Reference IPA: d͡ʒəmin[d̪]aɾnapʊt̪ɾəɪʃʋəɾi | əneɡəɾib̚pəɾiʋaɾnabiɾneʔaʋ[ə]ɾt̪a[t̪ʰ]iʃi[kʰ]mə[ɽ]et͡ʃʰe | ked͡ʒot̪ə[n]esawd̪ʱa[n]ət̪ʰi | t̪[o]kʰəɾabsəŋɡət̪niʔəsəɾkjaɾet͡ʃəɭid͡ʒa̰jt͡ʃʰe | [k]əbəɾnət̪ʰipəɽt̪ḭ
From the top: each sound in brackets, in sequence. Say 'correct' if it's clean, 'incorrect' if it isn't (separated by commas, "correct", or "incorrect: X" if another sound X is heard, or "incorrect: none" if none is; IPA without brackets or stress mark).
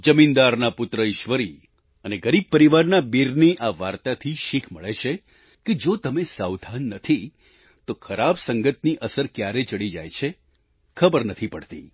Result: correct, incorrect: a, correct, correct, incorrect: ɭ, incorrect: m, incorrect: nː, correct, incorrect: kʰ